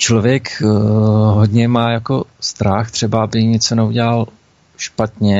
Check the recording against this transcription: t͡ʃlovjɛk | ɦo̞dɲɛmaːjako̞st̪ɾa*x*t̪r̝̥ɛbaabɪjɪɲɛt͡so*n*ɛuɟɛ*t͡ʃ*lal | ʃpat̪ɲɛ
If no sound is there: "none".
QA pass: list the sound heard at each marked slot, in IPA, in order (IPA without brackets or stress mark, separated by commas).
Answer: x, n, none